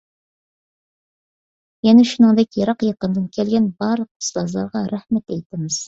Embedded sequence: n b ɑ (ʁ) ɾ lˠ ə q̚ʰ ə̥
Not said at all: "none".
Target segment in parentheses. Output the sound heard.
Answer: none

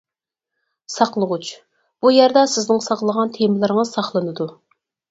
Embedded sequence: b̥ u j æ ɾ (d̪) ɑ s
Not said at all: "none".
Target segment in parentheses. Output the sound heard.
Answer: d̪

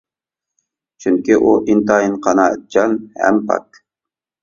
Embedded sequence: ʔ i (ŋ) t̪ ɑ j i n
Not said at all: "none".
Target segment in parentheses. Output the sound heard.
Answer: n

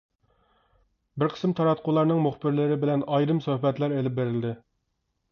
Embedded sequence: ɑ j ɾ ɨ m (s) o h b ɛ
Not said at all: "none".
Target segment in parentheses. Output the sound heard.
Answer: s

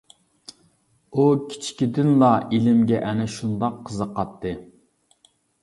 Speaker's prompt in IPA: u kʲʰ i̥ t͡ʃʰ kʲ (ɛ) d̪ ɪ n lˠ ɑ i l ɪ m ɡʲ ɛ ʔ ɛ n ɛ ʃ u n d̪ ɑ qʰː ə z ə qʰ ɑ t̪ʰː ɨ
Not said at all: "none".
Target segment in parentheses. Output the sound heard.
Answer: i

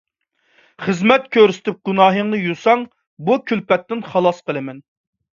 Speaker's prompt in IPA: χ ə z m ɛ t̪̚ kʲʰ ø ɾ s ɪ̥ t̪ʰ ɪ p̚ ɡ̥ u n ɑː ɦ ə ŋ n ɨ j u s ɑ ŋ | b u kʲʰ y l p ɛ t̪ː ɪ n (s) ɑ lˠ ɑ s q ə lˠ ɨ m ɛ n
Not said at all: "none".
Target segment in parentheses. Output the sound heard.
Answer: χ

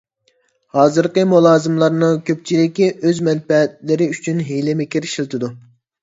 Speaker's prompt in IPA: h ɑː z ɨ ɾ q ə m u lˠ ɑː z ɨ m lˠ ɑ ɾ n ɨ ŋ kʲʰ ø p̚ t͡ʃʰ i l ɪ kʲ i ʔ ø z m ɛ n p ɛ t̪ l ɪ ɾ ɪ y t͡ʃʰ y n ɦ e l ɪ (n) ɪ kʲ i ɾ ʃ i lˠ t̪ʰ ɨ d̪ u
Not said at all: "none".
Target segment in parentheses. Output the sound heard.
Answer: m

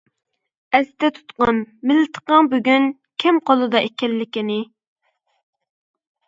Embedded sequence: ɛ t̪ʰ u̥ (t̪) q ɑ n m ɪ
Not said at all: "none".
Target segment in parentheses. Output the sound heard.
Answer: t̪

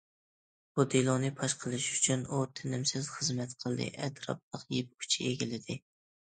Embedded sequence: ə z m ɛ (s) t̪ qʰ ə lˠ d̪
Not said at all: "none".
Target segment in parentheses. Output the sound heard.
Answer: none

